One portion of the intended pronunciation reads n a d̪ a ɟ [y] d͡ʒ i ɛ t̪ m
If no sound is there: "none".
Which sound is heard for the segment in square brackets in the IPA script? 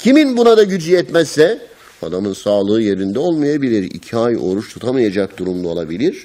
y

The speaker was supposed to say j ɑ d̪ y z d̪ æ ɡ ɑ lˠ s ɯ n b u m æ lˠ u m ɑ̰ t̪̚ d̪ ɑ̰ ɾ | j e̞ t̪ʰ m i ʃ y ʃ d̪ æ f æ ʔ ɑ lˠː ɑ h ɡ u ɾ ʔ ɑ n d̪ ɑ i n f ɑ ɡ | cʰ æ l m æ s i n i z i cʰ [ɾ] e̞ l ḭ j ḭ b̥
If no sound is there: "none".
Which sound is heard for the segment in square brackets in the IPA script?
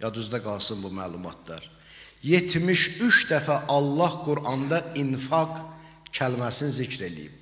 ɾ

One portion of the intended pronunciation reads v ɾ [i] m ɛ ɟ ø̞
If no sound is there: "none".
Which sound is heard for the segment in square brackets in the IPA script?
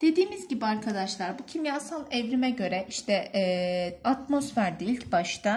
i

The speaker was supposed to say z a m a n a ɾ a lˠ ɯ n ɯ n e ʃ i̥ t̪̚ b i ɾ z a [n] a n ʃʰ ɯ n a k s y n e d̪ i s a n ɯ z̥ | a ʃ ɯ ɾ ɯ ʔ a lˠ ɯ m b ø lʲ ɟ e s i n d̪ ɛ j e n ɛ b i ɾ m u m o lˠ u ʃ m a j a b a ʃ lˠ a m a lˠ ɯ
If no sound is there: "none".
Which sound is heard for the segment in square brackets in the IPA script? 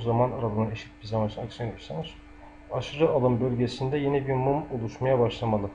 m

